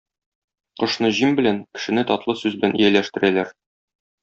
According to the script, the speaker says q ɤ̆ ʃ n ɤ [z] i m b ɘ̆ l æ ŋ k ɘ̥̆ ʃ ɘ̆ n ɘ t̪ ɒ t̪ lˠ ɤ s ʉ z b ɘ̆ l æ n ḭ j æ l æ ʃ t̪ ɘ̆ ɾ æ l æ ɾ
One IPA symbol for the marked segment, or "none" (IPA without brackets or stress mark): ʑ